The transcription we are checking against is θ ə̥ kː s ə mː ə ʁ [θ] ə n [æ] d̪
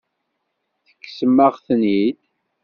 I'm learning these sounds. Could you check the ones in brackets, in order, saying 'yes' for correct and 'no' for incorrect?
yes, no

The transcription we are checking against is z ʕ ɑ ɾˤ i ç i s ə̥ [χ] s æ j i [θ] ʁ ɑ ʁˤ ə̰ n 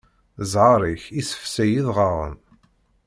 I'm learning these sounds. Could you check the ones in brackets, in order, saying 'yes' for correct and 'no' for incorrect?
no, no

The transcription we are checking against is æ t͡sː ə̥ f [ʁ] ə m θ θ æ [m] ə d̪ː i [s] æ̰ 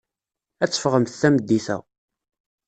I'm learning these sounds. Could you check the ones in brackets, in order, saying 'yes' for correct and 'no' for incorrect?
yes, yes, no

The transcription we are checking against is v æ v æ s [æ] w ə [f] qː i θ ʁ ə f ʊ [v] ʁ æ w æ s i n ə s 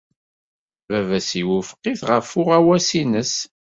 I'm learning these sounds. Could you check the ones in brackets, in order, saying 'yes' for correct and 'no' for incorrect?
no, yes, no

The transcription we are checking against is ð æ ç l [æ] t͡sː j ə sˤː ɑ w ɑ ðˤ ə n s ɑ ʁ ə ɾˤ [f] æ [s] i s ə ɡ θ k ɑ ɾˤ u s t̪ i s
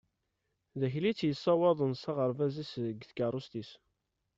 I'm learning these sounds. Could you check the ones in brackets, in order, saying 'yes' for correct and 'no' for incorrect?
no, no, no

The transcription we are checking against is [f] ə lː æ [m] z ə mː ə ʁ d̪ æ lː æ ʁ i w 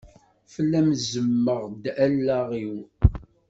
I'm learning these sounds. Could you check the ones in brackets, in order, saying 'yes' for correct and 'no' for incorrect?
yes, yes

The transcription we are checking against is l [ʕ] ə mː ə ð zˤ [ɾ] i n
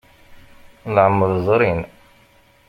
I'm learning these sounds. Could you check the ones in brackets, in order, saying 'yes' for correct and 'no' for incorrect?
yes, yes

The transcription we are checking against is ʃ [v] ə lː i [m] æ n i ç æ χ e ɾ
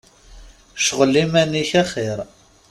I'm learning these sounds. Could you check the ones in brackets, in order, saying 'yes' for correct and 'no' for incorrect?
no, yes

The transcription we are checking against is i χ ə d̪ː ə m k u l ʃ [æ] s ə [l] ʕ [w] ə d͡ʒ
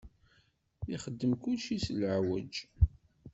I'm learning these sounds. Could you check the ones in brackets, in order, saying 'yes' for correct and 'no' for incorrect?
no, yes, yes

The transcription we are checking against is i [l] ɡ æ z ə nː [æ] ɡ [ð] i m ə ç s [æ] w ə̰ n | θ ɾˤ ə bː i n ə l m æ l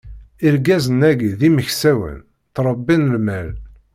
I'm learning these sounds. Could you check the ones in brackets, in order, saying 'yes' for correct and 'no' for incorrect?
no, yes, yes, yes

